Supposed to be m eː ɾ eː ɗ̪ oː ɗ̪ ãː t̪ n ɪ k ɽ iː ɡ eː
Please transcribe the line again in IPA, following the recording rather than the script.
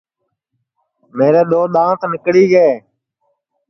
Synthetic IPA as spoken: m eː ɾ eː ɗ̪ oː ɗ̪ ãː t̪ n ɪ k ɽ iː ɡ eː